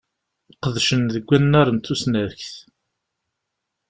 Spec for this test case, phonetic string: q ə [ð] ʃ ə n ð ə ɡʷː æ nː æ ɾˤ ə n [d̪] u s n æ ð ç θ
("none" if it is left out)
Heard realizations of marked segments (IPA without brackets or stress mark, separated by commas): ð, t̪